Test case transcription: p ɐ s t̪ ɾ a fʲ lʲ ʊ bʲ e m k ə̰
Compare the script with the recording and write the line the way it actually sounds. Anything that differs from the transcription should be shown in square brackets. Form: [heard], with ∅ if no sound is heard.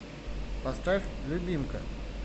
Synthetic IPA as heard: p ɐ s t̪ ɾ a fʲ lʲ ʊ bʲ [i] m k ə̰

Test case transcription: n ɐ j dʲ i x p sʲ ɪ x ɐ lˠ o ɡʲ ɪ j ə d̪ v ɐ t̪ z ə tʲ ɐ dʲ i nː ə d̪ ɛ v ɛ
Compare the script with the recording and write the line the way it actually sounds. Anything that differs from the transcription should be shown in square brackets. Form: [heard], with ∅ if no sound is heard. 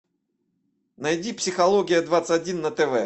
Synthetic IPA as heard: n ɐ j dʲ i [∅] p sʲ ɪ x ɐ lˠ o ɡʲ ɪ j ə d̪ v [a] t̪ [s] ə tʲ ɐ dʲ i nː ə [t̪] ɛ v ɛ

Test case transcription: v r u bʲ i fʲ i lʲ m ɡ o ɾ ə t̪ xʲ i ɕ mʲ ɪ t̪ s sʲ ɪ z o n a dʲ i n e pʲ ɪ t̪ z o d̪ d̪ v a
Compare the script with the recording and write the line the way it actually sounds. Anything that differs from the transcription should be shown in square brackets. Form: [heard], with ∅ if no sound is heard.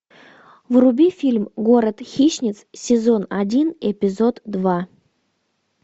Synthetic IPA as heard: v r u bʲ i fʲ i lʲ m ɡ o ɾ ə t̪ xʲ i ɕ [nʲ] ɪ t̪ s sʲ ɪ z o n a dʲ i n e pʲ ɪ [∅] z o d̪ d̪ v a

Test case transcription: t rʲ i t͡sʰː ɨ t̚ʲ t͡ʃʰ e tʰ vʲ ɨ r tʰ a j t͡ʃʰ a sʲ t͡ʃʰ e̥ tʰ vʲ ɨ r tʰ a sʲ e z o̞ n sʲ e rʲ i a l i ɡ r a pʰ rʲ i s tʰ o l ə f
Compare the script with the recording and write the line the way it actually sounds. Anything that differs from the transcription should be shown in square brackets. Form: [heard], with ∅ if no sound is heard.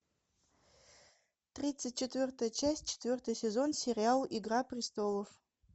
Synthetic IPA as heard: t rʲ i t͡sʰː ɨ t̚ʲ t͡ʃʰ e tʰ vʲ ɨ r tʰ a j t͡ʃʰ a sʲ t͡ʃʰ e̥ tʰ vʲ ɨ r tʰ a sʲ e z o̞ n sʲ e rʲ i a l i ɡ r a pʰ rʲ i s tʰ o l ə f

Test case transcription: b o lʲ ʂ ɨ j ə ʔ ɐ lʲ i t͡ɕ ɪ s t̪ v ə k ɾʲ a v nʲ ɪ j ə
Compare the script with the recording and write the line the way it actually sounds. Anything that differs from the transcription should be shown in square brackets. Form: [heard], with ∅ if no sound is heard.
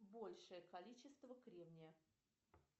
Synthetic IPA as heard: b o lʲ ʂ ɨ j ə [k] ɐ lʲ i t͡ɕ ɪ s t̪ v ə k ɾʲ [e] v nʲ ɪ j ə

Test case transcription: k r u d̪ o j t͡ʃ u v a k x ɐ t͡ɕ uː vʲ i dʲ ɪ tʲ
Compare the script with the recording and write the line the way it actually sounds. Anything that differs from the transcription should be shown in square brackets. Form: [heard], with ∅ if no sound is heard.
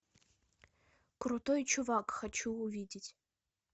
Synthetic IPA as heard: k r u [t̪] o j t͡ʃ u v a k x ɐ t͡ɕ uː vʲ i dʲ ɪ tʲ

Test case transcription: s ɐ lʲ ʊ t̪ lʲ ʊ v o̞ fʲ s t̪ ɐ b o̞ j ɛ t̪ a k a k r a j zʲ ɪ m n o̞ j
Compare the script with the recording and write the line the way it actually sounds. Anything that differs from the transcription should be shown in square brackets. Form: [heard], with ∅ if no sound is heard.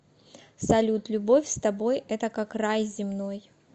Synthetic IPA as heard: s ɐ lʲ [u] t̪ lʲ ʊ [b] o̞ fʲ s t̪ ɐ b o̞ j ɛ t̪ [ə] k a k r a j zʲ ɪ m n o̞ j

